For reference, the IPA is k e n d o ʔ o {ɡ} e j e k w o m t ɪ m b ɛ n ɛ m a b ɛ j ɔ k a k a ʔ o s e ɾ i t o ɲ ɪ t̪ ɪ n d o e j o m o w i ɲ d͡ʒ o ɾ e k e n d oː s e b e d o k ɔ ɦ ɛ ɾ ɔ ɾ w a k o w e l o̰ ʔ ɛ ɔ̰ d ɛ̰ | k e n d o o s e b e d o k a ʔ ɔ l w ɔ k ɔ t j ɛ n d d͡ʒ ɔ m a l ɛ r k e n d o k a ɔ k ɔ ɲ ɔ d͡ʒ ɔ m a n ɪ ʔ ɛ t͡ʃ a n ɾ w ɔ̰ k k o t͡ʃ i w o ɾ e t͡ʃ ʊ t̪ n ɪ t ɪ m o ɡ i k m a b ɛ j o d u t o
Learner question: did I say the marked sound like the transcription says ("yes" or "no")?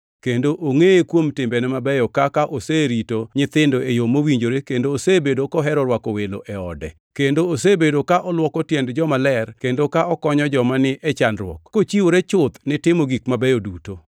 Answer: no